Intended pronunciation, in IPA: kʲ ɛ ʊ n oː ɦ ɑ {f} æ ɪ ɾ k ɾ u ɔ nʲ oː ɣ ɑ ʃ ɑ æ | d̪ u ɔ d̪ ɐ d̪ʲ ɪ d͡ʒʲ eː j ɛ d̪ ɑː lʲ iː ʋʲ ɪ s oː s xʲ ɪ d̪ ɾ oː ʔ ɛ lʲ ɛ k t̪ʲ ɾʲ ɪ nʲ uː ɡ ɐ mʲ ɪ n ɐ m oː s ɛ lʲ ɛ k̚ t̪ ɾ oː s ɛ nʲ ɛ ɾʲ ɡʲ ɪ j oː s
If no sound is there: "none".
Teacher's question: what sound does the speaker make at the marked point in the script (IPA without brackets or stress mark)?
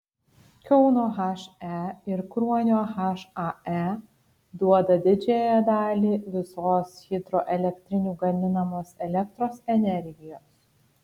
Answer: ʃ